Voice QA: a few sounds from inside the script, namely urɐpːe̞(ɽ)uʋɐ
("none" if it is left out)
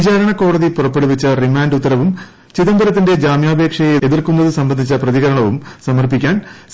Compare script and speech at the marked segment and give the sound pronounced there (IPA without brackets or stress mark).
ɽ